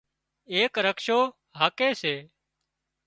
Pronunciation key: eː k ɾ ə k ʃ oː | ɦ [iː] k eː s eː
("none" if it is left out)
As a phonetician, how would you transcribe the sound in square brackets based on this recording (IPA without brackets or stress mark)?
aː